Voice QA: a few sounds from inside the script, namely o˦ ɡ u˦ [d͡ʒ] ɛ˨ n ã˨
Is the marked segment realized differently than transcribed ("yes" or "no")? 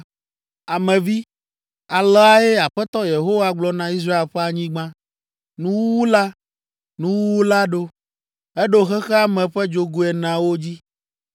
yes